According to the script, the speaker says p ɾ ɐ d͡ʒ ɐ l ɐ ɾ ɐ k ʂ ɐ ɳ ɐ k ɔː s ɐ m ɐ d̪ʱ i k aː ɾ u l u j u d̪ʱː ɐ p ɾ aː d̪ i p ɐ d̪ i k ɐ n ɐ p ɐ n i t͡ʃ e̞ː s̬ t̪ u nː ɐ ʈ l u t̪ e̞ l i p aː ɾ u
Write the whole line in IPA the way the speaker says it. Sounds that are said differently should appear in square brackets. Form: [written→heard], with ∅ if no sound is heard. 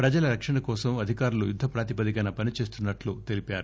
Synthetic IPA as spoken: p ɾ ɐ d͡ʒ ɐ l ɐ ɾ ɐ k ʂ ɐ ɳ ɐ k ɔː s ɐ m ɐ d̪ʱ i k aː ɾ u l u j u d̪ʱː ɐ p ɾ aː [d̪→t̪] i p ɐ d̪ i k ɐ n ɐ p ɐ n i t͡ʃ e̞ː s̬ t̪ u nː ɐ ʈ l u t̪ e̞ l i p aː ɾ u